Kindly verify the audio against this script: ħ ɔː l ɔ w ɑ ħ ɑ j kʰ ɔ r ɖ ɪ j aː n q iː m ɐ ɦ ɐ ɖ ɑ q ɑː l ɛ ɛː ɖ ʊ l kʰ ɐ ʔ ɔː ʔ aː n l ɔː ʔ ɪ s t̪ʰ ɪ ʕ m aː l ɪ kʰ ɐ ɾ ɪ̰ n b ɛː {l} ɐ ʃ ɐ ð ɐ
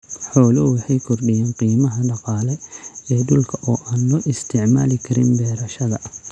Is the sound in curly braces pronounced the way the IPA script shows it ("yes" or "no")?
no